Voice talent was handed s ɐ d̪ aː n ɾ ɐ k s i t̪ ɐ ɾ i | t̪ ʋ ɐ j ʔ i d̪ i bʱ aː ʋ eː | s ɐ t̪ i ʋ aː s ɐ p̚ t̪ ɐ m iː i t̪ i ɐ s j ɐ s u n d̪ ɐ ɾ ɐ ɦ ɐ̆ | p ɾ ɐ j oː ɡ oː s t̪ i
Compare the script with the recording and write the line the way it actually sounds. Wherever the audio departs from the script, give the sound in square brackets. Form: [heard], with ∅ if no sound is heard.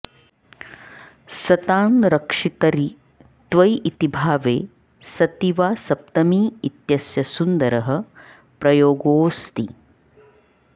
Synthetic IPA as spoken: s ɐ [t̪] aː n ɾ ɐ k [ʂ] i t̪ ɐ ɾ i | t̪ ʋ ɐ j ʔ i [t̪] i bʱ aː ʋ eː | s ɐ t̪ i ʋ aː s ɐ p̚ t̪ ɐ m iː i t̪ [j] ɐ s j ɐ s u n d̪ ɐ ɾ ɐ ɦ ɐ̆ | p ɾ ɐ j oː ɡ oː s t̪ i